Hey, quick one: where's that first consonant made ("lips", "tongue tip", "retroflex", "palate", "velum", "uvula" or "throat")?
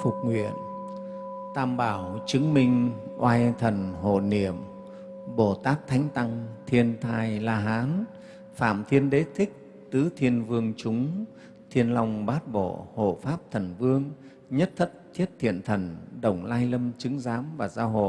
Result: lips